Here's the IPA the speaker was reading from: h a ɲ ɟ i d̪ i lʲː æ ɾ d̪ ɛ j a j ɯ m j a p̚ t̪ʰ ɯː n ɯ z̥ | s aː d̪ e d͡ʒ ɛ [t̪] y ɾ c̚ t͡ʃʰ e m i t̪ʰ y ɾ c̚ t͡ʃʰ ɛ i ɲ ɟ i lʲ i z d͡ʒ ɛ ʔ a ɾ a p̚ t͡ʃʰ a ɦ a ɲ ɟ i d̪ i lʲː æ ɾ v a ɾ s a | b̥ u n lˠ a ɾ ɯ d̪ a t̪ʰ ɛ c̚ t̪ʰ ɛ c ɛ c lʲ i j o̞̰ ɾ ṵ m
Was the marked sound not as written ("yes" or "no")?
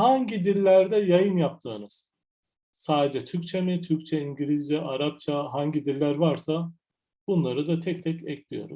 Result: yes